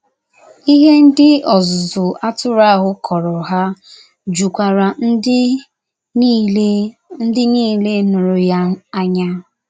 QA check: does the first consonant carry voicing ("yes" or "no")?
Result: yes